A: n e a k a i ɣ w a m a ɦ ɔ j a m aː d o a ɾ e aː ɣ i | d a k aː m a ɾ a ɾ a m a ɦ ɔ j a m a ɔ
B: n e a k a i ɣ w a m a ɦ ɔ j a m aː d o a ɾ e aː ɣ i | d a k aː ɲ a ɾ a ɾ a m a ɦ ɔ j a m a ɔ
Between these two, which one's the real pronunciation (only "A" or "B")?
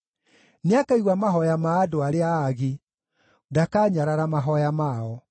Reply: B